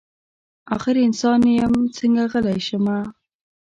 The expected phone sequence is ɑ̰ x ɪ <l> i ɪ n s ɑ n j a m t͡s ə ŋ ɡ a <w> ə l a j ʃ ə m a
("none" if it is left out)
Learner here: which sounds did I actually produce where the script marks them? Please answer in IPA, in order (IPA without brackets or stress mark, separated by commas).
ɾ, ɣ